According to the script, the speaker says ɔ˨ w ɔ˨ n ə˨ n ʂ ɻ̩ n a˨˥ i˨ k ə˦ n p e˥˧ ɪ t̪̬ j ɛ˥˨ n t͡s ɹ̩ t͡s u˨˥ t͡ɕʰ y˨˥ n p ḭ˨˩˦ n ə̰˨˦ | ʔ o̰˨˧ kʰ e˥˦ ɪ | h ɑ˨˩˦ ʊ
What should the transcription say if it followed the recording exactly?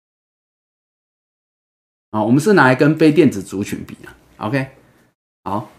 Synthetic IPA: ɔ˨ w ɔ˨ m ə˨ n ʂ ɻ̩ n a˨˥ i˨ k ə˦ n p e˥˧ ɪ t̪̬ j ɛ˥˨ n t͡s ɹ̩ t͡s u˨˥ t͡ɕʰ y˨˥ n p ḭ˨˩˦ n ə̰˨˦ | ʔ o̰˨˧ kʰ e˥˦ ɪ | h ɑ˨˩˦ ʊ